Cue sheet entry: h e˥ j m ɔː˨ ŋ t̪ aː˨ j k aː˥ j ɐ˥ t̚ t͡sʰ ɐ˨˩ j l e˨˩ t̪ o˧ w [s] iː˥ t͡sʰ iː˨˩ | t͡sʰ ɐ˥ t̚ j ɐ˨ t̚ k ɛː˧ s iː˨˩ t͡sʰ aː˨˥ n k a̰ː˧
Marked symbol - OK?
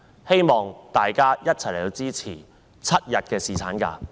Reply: no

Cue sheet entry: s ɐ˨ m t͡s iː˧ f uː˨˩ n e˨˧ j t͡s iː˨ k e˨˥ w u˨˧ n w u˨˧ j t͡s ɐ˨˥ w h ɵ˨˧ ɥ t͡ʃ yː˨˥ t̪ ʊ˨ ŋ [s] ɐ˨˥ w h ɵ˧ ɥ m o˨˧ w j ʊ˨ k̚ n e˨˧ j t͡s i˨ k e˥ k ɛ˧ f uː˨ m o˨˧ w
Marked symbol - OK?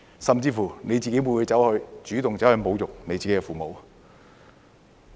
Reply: no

